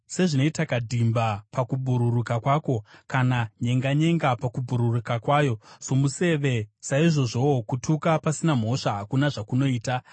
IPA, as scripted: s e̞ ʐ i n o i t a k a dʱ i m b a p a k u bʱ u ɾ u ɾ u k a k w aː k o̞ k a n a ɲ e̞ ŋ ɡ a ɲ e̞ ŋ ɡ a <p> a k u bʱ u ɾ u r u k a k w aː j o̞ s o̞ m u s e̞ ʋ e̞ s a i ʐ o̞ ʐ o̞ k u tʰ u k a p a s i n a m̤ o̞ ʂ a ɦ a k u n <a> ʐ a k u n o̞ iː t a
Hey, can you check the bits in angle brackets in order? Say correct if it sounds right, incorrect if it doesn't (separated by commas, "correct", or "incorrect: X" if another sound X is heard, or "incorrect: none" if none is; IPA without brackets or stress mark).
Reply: correct, correct